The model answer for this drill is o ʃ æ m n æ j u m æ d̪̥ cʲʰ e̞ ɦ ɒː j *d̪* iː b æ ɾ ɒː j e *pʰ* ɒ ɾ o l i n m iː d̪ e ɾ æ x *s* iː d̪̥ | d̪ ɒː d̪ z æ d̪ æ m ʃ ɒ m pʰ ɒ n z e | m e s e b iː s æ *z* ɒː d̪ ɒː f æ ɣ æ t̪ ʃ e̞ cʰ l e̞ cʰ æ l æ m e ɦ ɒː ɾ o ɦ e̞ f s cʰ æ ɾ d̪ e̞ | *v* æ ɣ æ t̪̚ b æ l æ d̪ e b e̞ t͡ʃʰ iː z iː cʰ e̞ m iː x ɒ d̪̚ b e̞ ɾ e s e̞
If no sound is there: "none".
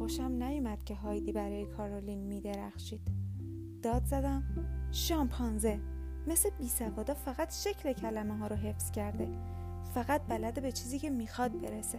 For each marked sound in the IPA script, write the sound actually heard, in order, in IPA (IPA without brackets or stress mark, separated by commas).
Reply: d̪, kʰ, ʃ, v, f